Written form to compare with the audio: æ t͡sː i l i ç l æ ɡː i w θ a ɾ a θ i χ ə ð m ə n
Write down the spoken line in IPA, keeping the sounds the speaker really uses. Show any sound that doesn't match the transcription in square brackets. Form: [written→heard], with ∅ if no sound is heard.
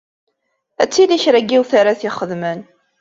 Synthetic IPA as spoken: æ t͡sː i l i ç [l→ɾ] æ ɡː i w θ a ɾ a θ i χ ə ð m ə n